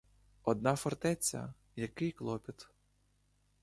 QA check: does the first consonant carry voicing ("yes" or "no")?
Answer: yes